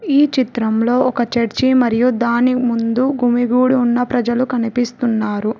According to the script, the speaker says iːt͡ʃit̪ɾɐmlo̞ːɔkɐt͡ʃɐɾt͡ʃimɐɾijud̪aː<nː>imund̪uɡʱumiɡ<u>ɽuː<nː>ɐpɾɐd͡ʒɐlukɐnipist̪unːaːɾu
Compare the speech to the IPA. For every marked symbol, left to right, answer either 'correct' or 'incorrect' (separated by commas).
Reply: incorrect, incorrect, correct